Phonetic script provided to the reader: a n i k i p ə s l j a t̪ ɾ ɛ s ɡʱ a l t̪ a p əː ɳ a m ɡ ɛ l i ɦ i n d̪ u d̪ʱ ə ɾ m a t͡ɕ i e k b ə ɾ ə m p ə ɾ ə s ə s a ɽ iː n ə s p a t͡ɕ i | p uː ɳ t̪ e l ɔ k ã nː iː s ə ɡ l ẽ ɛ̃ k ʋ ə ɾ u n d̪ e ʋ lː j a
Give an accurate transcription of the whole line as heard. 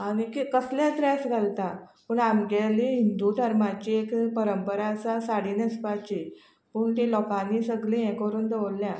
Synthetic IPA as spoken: a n i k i k ə s l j a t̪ ɾ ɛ s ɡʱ a l t̪ a p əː ɳ a m ɡ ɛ l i ɦ i n d̪ u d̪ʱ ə ɾ m a t͡ɕ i e k p ə ɾ ə m p ə ɾ a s a s a ɽ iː n ə s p a t͡ɕ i | p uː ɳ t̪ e l ɔ k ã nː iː s ə ɡ l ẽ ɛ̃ k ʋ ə ɾ uː n d̪ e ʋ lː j a

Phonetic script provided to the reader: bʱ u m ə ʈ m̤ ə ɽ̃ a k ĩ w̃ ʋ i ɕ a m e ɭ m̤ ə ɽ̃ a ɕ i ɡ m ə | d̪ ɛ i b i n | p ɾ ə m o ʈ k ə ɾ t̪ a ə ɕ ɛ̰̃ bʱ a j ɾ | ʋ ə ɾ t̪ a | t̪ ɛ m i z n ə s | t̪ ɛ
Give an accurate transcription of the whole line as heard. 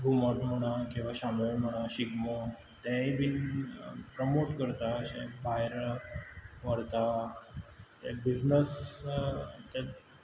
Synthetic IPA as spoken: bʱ u m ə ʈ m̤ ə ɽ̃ a k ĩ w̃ ʋ a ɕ a m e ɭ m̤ ə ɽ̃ a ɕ i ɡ m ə | t̪ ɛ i b i n | p ɾ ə m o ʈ k ə ɾ t̪ a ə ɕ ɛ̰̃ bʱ a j ɾ | ʋ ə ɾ t̪ a | t̪ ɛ b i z n ə s | t̪ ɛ

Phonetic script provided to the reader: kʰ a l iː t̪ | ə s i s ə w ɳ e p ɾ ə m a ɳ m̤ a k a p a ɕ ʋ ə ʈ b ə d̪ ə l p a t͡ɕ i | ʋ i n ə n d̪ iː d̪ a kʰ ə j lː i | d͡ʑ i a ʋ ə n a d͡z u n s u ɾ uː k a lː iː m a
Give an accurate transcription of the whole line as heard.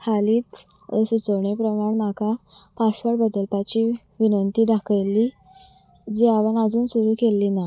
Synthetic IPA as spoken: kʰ a l iː t̪ | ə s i t͡s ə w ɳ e p ɾ ə m a ɳ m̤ a k a p a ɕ ʋ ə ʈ b ə d̪ ə l p a t͡ɕ i | ʋ i n ə n t̪ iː d̪ a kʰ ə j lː i | d͡ʑ i a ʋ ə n a d͡z uː n s u ɾ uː k e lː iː n a

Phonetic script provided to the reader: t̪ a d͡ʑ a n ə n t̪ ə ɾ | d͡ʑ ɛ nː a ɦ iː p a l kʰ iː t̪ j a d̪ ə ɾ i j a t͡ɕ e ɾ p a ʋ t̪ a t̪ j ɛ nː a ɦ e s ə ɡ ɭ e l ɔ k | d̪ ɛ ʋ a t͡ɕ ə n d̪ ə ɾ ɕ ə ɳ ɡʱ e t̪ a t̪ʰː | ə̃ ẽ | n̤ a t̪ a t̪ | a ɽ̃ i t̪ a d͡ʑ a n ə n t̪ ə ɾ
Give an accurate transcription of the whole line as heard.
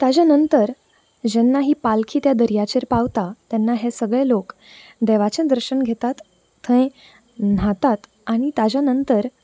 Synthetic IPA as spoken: t̪ a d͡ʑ a n ə n t̪ ə ɾ | d͡ʑ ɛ nː a ɦ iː p a l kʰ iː t̪ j a d̪ ə ɾ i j a t͡ɕ e ɾ p a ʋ t̪ a t̪ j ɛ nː a ɦ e s ə ɡ ɭ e l o k | d̪ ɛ ʋ a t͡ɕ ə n d̪ ə ɾ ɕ ə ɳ ɡʱ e t̪ a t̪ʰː | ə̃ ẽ | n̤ a t̪ a t̪ | a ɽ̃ i t̪ a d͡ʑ a n ə n t̪ ə ɾ

